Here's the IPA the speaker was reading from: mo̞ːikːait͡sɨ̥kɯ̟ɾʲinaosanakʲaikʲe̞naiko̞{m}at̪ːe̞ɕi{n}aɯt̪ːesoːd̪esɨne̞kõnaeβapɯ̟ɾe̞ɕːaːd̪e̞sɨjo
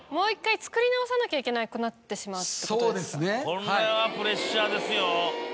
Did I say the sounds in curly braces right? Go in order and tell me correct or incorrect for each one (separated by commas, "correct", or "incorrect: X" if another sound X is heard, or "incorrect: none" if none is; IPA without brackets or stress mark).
incorrect: n, incorrect: m